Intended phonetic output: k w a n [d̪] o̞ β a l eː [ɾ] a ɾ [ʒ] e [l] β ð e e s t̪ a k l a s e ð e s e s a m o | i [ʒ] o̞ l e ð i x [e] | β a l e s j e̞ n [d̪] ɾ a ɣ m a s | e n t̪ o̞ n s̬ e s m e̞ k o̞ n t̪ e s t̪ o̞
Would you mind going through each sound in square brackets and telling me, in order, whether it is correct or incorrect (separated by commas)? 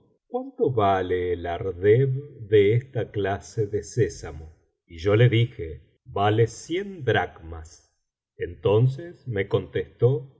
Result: incorrect, incorrect, incorrect, incorrect, correct, correct, correct